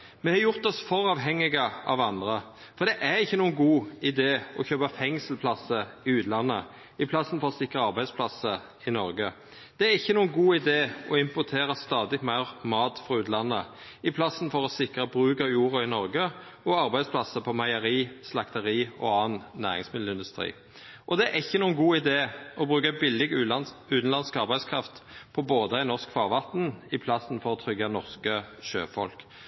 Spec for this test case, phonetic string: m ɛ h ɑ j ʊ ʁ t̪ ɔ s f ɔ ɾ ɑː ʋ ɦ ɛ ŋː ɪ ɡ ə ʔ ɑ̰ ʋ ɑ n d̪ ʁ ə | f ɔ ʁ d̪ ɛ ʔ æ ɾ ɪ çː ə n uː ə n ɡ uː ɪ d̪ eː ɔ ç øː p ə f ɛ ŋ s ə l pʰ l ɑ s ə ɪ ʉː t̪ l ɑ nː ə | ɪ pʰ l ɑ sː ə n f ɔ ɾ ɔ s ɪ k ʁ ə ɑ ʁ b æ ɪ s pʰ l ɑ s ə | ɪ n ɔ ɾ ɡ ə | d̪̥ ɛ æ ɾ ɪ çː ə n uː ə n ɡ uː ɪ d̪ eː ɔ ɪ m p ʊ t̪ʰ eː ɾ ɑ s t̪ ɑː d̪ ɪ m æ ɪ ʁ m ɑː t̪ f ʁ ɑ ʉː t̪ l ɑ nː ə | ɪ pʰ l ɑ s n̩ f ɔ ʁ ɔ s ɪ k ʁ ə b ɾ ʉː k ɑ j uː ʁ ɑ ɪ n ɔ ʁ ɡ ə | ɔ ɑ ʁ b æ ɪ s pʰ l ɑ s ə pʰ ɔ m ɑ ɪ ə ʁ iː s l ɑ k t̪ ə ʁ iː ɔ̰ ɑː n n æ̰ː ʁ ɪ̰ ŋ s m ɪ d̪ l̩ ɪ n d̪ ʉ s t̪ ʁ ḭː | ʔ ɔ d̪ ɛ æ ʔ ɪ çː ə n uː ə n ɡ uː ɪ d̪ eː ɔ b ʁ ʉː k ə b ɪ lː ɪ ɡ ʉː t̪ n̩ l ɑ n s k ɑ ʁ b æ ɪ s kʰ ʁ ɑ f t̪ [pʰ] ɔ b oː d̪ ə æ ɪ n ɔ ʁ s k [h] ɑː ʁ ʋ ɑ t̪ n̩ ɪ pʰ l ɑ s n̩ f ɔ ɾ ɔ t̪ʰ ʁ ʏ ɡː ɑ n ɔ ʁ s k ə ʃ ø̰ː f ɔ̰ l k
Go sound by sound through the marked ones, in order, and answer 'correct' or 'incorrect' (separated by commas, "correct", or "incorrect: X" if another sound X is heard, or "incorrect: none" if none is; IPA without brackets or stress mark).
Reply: correct, incorrect: f